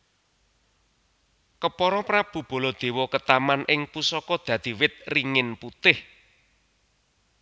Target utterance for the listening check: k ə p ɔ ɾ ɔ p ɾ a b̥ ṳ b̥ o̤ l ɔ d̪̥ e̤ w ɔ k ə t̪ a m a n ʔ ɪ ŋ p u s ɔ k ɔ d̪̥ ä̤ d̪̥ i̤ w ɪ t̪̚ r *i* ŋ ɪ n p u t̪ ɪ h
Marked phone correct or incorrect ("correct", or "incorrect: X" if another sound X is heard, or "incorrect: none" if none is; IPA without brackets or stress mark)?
correct